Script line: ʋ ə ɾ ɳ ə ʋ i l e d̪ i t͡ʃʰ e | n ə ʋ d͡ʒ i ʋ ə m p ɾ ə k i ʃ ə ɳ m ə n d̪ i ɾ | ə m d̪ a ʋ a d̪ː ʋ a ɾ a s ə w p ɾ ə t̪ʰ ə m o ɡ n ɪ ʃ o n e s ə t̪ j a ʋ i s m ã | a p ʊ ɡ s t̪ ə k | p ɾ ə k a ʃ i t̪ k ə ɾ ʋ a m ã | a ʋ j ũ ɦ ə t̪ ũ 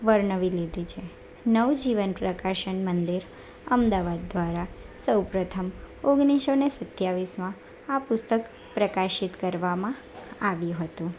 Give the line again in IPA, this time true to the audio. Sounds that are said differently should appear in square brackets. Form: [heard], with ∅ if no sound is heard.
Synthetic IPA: ʋ ə ɾ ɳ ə ʋ i l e d̪ i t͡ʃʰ e | n ə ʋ d͡ʒ i ʋ ə [n] p ɾ ə k [a] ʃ ə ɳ m ə n d̪ i ɾ | ə m d̪ a ʋ a d̪ː ʋ a ɾ a s ə w p ɾ ə t̪ʰ ə m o ɡ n [i] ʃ o n e s ə t̪ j a ʋ i s m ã | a p ʊ [∅] s t̪ ə k | p ɾ ə k a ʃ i t̪ k ə ɾ ʋ a m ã | a ʋ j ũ ɦ ə t̪ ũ